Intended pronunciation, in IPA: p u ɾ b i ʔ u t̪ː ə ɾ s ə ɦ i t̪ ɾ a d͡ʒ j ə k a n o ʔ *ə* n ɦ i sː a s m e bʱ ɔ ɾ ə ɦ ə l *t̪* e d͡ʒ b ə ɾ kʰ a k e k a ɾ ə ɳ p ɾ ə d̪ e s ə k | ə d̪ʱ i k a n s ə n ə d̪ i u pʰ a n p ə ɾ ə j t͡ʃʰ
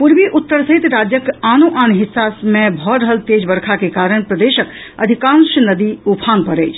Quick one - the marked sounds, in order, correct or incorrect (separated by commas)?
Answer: incorrect, correct